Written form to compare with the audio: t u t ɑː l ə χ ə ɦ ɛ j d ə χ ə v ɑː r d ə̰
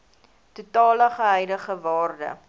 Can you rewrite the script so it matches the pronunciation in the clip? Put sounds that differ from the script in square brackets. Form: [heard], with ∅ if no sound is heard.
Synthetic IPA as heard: t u t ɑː l ə χ ə ɦ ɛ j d ə χ ə v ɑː r d ə̰